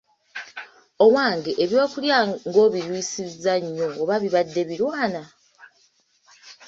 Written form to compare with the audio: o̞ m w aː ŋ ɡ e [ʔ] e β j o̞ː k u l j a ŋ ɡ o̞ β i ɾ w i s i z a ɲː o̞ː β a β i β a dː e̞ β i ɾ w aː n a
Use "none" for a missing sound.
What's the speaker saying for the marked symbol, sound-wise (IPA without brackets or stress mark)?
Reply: ʔ